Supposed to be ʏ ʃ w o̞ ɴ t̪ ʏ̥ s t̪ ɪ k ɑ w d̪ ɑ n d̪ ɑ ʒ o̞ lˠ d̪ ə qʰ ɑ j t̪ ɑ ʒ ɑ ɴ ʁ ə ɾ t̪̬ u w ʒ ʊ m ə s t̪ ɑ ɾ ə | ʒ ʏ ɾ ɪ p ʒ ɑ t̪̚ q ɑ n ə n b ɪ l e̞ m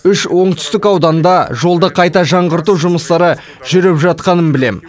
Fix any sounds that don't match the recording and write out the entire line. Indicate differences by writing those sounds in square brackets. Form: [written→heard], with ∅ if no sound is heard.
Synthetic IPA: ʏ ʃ w o̞ ɴ t̪ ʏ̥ s t̪ ɪ k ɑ w d̪ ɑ n d̪ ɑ ʒ o̞ lˠ d̪ ə qʰ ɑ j t̪ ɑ ʒ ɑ ɴ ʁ ə ɾ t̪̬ u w ʒ ʊ m ə s t̪ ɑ ɾ ə | ʒ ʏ ɾ ɪ p ʒ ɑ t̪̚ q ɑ n ə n b ɪ l e̞ m